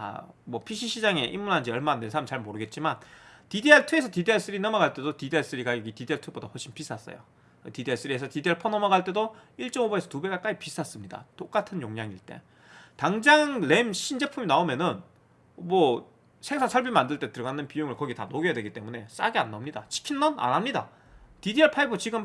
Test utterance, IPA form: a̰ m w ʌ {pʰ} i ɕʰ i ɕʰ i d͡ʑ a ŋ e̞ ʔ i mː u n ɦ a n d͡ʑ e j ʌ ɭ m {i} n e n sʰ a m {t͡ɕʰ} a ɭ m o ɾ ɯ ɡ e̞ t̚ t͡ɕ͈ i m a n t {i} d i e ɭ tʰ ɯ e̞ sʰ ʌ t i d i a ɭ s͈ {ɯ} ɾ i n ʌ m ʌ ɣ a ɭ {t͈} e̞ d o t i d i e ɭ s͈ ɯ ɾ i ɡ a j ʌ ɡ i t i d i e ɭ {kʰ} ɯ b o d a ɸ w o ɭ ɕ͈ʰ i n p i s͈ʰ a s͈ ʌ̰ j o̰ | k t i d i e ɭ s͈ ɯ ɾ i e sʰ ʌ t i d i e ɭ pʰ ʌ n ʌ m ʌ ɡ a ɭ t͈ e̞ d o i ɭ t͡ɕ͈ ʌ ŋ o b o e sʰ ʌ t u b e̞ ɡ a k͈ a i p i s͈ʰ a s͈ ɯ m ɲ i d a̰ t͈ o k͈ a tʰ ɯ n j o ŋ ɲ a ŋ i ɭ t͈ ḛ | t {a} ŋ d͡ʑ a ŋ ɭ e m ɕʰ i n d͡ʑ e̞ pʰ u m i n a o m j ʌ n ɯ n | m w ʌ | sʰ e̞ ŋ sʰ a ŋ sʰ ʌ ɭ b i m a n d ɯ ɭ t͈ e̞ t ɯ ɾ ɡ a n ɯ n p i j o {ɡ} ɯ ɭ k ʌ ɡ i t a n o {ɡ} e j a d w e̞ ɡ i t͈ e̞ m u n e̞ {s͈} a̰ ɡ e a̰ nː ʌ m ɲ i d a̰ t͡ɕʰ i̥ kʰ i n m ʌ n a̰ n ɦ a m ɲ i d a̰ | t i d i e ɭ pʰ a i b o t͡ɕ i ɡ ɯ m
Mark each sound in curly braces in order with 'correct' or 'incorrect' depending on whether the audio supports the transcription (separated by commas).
correct, incorrect, incorrect, correct, correct, correct, incorrect, correct, incorrect, correct, correct